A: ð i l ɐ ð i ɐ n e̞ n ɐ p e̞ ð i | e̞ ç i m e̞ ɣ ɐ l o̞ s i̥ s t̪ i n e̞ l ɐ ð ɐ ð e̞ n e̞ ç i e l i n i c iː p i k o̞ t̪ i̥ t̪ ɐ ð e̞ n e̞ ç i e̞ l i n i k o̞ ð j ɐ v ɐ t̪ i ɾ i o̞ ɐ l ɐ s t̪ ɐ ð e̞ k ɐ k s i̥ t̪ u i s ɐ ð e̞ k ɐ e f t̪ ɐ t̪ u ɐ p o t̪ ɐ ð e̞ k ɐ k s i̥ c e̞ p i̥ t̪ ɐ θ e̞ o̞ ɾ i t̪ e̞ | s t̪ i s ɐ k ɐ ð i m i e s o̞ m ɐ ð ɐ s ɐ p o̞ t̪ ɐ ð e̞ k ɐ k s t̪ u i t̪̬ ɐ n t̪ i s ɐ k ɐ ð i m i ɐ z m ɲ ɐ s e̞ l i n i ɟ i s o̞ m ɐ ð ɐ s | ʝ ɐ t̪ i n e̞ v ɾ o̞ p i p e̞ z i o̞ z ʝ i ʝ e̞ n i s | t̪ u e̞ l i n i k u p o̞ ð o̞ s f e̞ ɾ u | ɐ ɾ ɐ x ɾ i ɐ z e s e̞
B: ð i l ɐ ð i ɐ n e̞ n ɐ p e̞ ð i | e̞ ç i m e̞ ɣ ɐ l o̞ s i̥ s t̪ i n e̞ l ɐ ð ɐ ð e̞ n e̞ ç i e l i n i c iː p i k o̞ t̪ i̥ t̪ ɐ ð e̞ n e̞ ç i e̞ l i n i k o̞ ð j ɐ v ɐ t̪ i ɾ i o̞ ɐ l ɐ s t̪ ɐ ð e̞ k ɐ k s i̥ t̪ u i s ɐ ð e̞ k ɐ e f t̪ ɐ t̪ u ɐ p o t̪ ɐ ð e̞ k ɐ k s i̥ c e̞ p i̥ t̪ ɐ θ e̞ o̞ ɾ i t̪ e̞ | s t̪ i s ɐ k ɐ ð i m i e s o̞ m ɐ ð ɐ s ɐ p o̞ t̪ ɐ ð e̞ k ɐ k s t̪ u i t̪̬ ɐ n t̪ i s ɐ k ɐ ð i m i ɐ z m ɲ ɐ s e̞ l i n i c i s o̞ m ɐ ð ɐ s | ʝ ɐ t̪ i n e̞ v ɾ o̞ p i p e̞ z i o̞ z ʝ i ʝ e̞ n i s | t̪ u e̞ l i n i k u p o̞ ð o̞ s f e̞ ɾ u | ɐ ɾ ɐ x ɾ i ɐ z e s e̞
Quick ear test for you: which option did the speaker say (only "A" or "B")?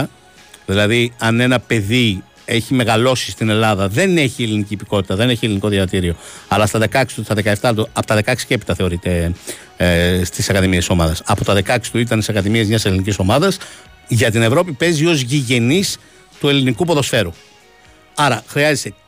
B